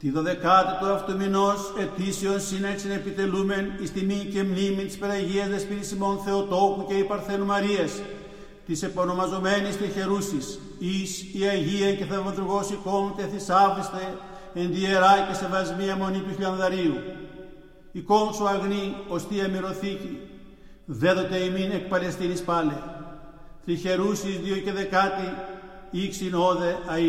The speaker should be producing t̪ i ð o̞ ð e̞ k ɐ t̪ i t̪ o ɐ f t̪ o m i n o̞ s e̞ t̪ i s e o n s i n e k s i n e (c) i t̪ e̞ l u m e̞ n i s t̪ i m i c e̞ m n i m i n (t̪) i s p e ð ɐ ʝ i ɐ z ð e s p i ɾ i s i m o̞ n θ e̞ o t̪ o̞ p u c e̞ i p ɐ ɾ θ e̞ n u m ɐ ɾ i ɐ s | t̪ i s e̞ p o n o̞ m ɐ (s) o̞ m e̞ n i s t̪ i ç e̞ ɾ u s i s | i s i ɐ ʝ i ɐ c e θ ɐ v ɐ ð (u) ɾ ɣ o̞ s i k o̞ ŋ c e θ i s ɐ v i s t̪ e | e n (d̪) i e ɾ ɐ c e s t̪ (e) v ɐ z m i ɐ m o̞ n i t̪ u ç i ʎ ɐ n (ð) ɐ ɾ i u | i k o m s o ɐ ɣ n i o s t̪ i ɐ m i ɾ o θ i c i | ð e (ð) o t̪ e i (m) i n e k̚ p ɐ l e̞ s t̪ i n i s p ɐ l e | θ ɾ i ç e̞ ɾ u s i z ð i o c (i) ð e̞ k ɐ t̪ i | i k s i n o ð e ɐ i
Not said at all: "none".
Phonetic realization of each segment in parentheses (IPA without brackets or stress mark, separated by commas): p, t̪, z, u, d̪, e, ð, ð, m, e